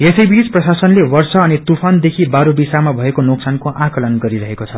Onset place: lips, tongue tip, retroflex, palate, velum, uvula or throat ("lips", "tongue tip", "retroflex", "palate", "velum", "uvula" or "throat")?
tongue tip